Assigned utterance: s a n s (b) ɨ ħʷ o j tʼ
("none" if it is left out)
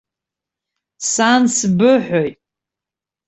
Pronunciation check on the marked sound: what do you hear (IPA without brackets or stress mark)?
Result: b